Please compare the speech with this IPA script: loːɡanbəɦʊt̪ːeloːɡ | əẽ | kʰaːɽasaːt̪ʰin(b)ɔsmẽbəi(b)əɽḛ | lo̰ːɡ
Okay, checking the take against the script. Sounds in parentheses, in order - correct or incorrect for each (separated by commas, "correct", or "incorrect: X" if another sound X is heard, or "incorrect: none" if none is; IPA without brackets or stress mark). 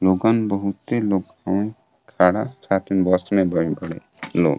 correct, correct